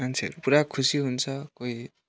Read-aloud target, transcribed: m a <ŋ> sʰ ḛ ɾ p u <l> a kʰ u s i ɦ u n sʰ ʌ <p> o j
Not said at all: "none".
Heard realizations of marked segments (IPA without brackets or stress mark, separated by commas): n, ɾ, k